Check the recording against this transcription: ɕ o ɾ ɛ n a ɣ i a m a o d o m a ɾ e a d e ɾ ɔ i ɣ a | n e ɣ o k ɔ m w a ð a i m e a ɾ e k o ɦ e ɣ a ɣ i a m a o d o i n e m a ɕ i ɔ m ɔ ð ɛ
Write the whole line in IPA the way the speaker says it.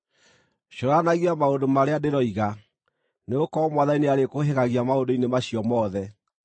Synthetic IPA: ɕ o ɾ a n a ɣ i a m a o d o m a ɾ e a d e ɾ ɔ i ɣ a | n e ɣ o k ɔ m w a ð a i n e a ɾ e k o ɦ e ɣ a ɣ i a m a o d o i n e m a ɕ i ɔ m ɔ ð ɛ

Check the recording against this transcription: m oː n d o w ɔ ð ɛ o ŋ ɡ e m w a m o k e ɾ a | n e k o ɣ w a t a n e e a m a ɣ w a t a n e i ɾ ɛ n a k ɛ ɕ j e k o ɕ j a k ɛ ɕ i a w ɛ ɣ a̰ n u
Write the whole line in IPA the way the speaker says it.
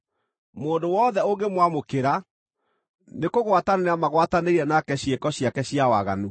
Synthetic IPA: m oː n d o w ɔ ð ɛ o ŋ ɡ e m w a m o k e ɾ a | n e k o ɣ w a t a n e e a m a ɣ w a t a n e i ɾ ɛ n a k ɛ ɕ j e k ɔ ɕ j a k ɛ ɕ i a w a ɣ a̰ n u

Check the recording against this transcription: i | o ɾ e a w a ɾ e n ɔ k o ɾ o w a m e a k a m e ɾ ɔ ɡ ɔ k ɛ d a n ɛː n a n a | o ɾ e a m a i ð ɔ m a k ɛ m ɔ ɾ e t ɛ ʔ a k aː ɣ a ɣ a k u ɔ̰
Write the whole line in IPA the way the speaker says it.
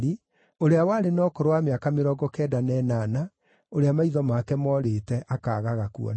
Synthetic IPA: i | o ɾ e a w a ɾ e n ɔ k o ɾ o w a m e a k a m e ɾ ɔ ɡ ɔ k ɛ d a n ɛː n a n a | o ɾ e a m a i ð ɔ m a k ɛ m ɔ ɾ e t ɛ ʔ a k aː ɣ a ɣ a k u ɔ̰

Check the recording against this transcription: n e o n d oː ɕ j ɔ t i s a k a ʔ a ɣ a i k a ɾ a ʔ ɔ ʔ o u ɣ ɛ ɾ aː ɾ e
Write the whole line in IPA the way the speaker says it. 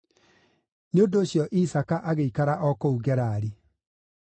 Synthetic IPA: n e o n d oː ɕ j ɔ ʔ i s a k a ʔ a ɣ e i k a ɾ a ʔ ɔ k o u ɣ ɛ ɾ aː ɾ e

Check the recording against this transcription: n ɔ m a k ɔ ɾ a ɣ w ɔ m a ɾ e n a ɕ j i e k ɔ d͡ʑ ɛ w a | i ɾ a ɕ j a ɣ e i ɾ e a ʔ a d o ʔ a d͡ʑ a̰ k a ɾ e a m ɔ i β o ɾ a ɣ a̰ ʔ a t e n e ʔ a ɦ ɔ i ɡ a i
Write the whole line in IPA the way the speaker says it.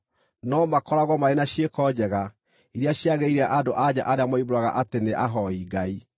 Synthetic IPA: n ɔ m a k ɔ ɾ a ɣ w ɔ m a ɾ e n a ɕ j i e k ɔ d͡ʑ ɛ ɣ a | i ɾ a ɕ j a ɣ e i ɾ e a ʔ a d o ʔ a d͡ʑ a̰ ʔ a ɾ e a m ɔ i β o ɾ a ɣ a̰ ʔ a t e n e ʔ a ɦ ɔ i ɡ a i

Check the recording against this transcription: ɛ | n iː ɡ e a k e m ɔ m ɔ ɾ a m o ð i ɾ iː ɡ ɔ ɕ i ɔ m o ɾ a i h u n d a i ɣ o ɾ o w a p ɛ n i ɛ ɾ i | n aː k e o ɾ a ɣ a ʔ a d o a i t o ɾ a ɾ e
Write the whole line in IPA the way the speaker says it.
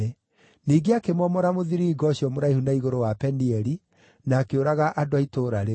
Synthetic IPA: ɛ | n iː ɡ e a k e m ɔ m ɔ ɾ a m o ð i ɾ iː ɡ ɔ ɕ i ɔ m o ɾ a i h u n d a i ɣ o ɾ o w a p ɛ n i ɛ ɾ i | n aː k e o ɾ a ɣ a ʔ a d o a i t o ɾ a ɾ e

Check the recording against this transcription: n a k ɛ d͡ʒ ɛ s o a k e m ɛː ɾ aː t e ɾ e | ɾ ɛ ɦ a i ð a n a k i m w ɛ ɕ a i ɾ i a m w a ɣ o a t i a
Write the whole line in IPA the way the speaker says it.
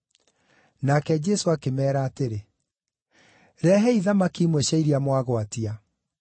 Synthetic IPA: n a k ɛ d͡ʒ ɛ s o a k e m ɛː ɾ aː t e ɾ e | ɾ ɛ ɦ ɛ i ð a m a k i m w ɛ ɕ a i ɾ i a m w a ɣ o a t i a

